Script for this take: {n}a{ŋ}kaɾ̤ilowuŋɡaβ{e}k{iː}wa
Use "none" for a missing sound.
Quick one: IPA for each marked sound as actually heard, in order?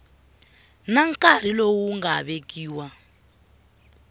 n, ŋ, e, iː

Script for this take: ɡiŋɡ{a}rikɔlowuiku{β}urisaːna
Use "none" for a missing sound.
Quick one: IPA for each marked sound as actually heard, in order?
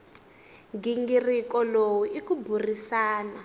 i, b

